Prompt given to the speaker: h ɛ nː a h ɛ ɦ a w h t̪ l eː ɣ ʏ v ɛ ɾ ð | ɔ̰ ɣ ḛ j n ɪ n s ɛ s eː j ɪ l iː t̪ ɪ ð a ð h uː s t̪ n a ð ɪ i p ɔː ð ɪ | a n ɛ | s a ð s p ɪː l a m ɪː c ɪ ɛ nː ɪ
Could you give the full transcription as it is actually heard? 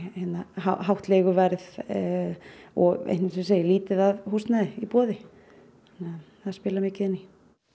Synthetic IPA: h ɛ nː a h a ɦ a w h t̪ l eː ɣ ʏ v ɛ ɾ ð | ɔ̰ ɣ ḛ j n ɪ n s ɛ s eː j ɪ l iː t̪ ɪ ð a ð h uː s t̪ n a ð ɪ i p ɔː ð ɪ | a n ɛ | θ a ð s p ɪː l a m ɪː c ɪ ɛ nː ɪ

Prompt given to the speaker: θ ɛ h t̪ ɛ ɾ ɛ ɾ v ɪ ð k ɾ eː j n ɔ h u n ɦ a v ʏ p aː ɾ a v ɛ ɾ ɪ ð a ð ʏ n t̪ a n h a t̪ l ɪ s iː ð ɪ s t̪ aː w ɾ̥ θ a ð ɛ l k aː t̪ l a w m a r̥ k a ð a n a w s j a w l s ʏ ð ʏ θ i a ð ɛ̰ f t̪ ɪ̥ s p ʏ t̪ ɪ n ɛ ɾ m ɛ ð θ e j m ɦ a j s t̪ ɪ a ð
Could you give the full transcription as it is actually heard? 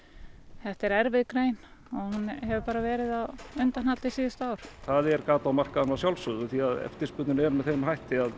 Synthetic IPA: θ ɛ h t̪ ɛ ɾ ɛ ɾ v ɪ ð k ɾ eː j n ɔ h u n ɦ ɛ v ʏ p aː ɾ a v ɛː ɾ ɪ ð a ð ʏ n t̪ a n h a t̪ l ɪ s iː ð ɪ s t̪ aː w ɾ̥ θ a ð ɛ ɾ k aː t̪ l a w m a r̥ k a ð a n a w s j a w l s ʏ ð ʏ θ i a ð ɛ̰ f t̪ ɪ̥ s p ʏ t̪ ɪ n ɛ ɾ m ɛ ð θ e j m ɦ a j h t̪ ɪ a ð

